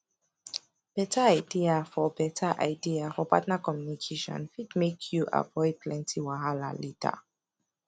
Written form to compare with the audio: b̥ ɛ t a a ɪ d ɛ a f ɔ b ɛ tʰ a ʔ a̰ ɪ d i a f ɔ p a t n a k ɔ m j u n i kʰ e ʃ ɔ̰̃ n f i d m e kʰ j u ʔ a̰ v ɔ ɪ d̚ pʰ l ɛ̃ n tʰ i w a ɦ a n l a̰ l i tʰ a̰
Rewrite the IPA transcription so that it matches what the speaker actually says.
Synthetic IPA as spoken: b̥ ɛ t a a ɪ d i a f ɔ b ɛ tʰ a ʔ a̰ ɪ d i a f ɔ p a t n a k ɔ m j u n i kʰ e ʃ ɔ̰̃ n f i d m e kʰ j u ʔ a̰ v ɔ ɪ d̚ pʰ l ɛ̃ n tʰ i w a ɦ a l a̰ l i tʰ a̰